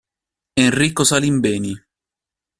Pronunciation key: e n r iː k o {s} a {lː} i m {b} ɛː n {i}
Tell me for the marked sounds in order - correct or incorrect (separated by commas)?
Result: correct, incorrect, correct, correct